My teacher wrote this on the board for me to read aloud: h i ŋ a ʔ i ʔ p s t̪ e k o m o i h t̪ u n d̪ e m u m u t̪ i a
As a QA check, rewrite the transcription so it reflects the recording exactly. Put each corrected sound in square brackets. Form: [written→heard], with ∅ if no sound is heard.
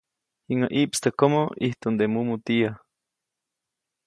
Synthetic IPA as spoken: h i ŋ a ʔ i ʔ p s t̪ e k o m o i h t̪ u n d̪ e m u m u t̪ i a